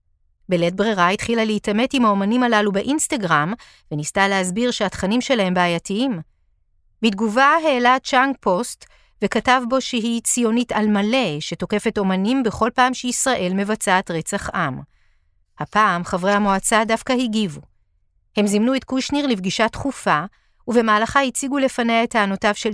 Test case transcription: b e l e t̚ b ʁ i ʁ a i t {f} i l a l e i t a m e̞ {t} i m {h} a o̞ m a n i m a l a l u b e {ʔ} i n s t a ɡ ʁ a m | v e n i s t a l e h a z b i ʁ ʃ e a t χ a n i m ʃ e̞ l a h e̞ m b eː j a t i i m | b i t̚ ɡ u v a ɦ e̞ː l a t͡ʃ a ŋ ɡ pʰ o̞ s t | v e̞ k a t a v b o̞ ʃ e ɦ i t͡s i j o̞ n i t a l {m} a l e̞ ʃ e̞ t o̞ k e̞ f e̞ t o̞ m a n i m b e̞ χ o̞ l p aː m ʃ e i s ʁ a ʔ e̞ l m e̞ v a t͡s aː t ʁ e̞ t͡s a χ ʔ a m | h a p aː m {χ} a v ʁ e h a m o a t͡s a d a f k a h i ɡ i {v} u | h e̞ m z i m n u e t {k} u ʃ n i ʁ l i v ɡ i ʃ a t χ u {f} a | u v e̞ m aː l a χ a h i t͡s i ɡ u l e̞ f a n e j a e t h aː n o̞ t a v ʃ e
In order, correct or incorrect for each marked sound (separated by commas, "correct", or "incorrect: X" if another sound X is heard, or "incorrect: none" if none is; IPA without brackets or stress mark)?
incorrect: χ, correct, correct, correct, correct, correct, correct, correct, correct